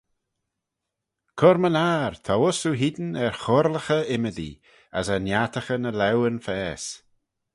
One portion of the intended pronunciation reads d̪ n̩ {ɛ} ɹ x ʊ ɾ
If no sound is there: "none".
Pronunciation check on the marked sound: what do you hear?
ɛ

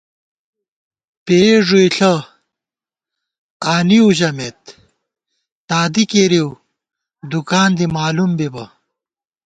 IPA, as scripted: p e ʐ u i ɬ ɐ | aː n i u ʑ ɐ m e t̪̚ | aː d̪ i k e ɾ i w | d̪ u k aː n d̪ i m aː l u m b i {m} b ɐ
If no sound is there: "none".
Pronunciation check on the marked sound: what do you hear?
none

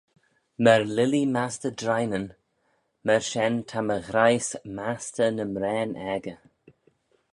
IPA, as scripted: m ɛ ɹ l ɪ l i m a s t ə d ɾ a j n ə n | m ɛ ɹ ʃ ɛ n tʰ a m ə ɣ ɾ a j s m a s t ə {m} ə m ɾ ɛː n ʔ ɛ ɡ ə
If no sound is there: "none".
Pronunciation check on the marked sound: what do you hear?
n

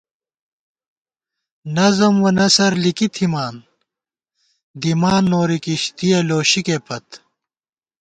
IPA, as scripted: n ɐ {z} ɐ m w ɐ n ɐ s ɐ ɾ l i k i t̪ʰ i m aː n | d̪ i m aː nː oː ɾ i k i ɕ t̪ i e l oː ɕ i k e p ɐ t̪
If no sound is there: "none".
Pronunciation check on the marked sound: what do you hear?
z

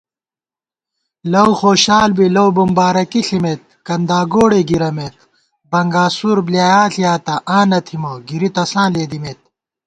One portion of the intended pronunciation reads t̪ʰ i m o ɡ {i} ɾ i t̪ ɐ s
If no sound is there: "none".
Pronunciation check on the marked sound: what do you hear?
i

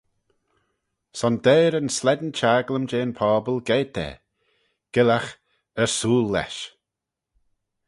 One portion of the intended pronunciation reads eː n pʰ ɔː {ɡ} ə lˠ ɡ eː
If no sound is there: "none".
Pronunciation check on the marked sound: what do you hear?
b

